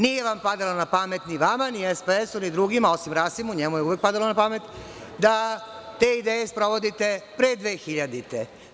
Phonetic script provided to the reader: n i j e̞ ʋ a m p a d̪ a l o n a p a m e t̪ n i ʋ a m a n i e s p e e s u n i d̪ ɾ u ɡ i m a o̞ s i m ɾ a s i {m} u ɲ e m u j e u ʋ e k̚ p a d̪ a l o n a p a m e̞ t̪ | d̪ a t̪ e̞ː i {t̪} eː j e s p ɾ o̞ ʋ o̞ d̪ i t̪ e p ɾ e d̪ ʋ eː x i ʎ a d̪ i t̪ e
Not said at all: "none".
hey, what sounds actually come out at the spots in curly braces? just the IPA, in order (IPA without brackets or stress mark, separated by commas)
m, d̪